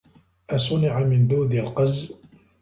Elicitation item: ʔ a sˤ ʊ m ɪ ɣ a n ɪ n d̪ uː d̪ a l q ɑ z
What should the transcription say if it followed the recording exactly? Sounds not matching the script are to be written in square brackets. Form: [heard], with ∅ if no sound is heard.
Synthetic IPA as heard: ʔ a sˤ ʊ [n] ɪ [ʕ] a [m] ɪ n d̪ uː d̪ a l q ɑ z